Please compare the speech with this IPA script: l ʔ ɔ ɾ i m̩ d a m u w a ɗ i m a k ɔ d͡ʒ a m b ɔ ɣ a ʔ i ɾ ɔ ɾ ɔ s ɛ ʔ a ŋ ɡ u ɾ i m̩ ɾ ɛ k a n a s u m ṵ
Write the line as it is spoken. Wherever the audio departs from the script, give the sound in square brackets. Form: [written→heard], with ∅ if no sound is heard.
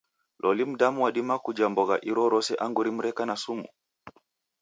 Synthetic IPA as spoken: l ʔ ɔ [ɾ→l] i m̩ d a m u w a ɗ i m a k [ɔ→u] d͡ʒ a m b ɔ ɣ a ʔ i ɾ ɔ ɾ ɔ s ɛ ʔ a ŋ ɡ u ɾ i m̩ ɾ ɛ k a n a s u m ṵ